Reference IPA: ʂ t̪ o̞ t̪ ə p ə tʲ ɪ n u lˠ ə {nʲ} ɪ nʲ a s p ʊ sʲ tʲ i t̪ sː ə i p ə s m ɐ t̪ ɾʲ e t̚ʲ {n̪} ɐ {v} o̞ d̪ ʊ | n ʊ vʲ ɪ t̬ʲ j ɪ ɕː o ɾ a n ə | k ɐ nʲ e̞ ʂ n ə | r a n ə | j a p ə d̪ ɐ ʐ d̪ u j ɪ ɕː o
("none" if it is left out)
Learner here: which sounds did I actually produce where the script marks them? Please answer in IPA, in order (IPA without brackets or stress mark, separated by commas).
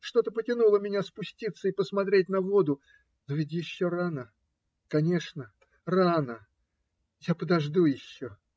mʲ, n̪, v